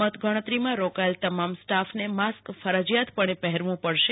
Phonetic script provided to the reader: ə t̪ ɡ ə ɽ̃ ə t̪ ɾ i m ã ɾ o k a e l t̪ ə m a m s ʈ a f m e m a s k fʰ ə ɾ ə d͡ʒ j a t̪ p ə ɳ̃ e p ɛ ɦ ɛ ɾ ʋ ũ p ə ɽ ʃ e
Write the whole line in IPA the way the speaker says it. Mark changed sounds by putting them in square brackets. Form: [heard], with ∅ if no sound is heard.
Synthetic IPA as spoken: ə t̪ ɡ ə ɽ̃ ə t̪ ɾ i m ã ɾ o k a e l t̪ ə m a m s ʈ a f [n] e m a s k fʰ ə ɾ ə d͡ʒ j a t̪ p ə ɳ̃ e p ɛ ɦ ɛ ɾ ʋ ũ p ə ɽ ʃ e